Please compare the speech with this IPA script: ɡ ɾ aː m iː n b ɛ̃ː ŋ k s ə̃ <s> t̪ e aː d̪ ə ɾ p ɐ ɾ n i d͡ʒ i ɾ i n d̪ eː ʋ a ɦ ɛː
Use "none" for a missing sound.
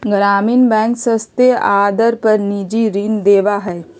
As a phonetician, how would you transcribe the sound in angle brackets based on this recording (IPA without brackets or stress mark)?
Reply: s